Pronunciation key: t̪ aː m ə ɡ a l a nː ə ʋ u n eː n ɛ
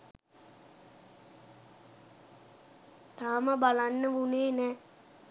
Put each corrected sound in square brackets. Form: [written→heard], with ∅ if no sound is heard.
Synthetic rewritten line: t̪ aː m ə [ɡ→b] a l a nː ə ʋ u n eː n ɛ